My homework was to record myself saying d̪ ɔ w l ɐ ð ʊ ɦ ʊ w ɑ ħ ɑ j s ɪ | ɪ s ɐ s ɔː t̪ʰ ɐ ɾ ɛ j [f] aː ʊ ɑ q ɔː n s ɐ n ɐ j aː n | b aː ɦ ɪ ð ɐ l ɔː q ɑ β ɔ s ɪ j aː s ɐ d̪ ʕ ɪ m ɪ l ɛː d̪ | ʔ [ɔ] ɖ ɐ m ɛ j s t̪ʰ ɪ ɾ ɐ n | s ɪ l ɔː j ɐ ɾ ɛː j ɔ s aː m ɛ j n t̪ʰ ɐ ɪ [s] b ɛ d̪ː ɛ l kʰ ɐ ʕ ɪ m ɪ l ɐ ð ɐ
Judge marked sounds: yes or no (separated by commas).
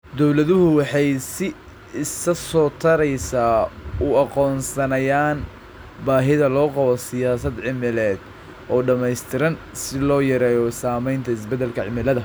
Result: no, no, yes